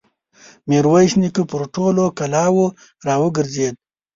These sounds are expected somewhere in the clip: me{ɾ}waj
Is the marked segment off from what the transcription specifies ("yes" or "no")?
no